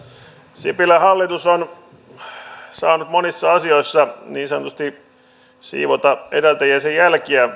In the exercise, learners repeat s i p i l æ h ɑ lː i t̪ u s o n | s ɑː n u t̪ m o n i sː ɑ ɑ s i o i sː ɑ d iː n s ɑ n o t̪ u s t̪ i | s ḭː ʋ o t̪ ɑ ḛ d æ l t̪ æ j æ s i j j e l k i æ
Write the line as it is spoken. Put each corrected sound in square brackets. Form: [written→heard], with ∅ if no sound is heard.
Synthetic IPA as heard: s i p i l æ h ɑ lː i t̪ u s o n | s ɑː n u t̪ m o n i sː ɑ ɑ s i o i sː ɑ [d→n] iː n s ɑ n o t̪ u s t̪ i | s ḭː ʋ o t̪ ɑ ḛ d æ l t̪ æ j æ s [i→e] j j [e→æ] l k i æ

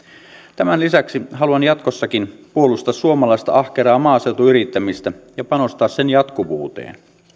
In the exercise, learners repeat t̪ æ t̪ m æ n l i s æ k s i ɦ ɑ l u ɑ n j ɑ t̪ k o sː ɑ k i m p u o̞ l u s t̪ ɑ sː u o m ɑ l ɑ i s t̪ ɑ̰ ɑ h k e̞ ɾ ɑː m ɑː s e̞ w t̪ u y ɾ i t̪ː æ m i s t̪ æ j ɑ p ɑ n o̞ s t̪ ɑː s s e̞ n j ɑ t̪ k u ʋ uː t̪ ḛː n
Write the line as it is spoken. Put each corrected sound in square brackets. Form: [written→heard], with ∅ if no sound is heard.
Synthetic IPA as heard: t̪ æ [t̪→∅] m æ n l i s æ k s i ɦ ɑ l u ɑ n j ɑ t̪ k o sː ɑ k i [m→n] p u o̞ l u s t̪ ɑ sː u o m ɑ l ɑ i s t̪ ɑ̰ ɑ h k e̞ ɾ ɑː m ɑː s e̞ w t̪ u y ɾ i t̪ː æ m i s t̪ æ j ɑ p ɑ n o̞ s t̪ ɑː s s e̞ n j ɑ t̪ k u ʋ uː t̪ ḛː n

